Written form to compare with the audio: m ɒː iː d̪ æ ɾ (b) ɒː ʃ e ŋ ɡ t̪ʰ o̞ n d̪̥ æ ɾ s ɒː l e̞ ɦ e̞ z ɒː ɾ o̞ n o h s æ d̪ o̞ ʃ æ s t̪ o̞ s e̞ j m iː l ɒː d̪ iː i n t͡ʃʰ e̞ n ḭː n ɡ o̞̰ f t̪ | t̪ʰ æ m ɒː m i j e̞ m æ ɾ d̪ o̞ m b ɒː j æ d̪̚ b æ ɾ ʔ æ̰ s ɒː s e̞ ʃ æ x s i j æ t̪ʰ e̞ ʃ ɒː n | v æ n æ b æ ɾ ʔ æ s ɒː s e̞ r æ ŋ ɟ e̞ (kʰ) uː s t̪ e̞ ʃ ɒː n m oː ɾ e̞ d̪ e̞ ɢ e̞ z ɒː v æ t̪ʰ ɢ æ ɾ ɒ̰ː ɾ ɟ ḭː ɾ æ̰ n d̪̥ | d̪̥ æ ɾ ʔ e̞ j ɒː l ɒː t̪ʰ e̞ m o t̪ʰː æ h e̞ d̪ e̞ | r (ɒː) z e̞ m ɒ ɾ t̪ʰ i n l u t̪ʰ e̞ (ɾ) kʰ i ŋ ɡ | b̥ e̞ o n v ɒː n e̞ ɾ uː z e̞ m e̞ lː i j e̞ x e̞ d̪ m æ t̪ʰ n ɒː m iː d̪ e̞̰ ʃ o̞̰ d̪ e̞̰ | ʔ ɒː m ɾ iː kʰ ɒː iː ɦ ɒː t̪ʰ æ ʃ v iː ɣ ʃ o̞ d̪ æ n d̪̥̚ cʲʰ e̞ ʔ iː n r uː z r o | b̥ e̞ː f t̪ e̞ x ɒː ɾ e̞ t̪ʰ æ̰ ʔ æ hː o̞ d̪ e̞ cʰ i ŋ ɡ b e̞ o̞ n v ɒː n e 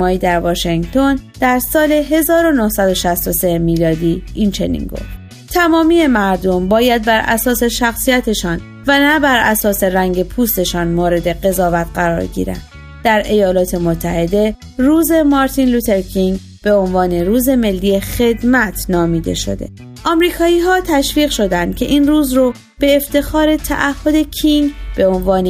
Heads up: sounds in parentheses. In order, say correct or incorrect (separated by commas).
incorrect, incorrect, incorrect, correct